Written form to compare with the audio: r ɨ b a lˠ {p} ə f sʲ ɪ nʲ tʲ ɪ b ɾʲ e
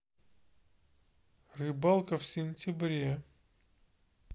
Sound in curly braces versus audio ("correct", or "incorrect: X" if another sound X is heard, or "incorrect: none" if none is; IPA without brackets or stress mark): incorrect: k